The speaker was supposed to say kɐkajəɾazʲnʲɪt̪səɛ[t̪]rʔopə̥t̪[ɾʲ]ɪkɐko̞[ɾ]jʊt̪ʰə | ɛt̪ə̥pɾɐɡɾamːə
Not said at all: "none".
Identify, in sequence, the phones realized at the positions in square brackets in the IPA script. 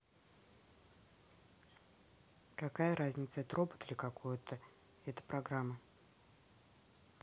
t̪, lʲ, none

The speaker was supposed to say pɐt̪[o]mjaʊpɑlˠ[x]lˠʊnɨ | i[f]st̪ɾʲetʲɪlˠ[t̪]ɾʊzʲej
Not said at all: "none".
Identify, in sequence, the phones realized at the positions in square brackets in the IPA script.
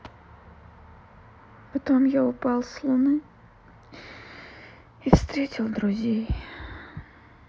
o, s, f, d̪

